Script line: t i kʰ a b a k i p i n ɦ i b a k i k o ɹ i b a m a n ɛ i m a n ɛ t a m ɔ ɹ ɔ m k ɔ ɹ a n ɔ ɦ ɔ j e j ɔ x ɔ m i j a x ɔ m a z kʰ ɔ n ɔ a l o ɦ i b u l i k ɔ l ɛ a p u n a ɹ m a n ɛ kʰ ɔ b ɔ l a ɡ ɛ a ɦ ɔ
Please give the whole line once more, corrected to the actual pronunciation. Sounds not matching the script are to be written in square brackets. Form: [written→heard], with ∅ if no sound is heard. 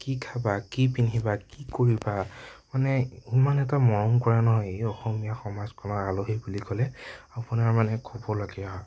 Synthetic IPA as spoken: [t→k] i kʰ a b a k i p i n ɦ i b a k i k o ɹ i b a m a n ɛ i m a n ɛ t a m ɔ ɹ ɔ m k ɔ ɹ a n ɔ ɦ ɔ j e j ɔ x ɔ m i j a x ɔ m a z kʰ ɔ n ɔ a l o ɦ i b u l i k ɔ l ɛ a p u n a ɹ m a n ɛ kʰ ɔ b ɔ l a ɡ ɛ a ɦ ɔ